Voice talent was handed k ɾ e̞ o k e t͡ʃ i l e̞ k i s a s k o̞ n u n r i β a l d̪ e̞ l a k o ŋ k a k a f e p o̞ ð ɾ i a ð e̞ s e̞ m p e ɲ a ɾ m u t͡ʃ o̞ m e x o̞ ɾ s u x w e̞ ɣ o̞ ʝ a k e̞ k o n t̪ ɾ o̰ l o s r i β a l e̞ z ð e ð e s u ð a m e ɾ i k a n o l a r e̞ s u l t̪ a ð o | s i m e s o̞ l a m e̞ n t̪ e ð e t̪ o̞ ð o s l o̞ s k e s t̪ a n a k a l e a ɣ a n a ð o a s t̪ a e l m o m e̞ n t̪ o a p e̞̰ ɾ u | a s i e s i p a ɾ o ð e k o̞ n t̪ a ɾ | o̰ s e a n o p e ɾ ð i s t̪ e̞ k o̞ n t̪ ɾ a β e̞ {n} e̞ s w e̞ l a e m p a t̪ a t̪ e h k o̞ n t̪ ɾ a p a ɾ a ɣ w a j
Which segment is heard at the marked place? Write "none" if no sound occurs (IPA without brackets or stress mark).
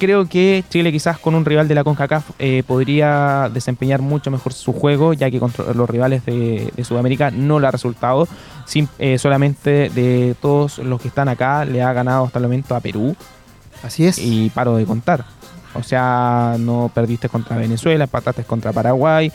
n